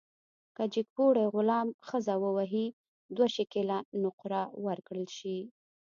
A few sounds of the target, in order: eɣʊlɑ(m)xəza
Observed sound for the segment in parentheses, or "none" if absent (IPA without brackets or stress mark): m